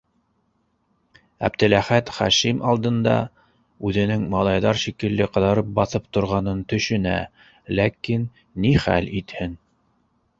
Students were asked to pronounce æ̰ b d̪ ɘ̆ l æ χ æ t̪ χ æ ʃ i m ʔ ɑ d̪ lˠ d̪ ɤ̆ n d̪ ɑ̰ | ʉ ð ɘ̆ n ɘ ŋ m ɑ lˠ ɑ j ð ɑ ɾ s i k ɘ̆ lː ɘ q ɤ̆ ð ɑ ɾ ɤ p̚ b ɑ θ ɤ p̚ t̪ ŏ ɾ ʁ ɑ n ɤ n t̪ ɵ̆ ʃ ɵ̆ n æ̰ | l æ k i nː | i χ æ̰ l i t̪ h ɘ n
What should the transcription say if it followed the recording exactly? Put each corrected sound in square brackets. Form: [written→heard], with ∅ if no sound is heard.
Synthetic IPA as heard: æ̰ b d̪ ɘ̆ l æ χ æ t̪ χ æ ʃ i m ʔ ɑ [d̪→∅] lˠ d̪ ɤ̆ n d̪ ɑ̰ | ʉ ð ɘ̆ n ɘ ŋ m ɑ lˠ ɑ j ð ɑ ɾ [s→ʃ] i k ɘ̆ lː ɘ q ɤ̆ ð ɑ ɾ ɤ p̚ b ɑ θ ɤ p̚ t̪ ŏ ɾ ʁ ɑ n ɤ n t̪ ɵ̆ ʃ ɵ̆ n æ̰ | l æ k i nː | i χ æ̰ l i t̪ h ɘ n